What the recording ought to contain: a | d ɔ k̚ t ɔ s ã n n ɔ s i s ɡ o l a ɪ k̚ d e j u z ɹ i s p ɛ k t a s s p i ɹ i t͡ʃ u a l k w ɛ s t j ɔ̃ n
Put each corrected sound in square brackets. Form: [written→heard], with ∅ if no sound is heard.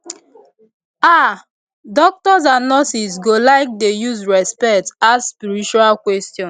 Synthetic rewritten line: a | d ɔ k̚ t ɔ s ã n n ɔ s i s ɡ o l a ɪ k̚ d e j u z ɹ [i→ɛ] s p ɛ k t a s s p i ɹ i t͡ʃ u a l k w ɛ s t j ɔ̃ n